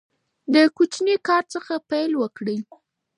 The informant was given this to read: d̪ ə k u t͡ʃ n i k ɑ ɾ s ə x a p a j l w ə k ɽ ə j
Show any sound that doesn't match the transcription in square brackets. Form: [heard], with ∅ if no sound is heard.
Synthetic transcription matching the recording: d̪ ə k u t͡ʃ n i k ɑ ɾ [t͡s] ə x a p a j l w ə k ɽ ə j